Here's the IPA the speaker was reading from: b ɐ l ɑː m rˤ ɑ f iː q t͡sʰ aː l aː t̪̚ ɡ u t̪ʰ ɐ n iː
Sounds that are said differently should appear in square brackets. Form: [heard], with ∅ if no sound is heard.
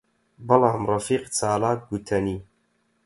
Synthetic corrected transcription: b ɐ l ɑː m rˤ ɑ f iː q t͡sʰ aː l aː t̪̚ ɡ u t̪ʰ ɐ n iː

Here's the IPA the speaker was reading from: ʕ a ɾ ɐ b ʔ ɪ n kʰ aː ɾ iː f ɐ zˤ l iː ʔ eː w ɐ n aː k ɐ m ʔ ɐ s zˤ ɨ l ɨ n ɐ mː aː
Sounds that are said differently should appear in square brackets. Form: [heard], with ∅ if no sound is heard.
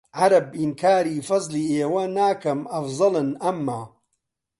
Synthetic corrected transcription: ʕ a ɾ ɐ b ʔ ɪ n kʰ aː ɾ iː f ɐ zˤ l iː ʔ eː w ɐ n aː k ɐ m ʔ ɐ [f] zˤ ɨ l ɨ n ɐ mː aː

